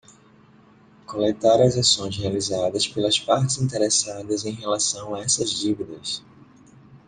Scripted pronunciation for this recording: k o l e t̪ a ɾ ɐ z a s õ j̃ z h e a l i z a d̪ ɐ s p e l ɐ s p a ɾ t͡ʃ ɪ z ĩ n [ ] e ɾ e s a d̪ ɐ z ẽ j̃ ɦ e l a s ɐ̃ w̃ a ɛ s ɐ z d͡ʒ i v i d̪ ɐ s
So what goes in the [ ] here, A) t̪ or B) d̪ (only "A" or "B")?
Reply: A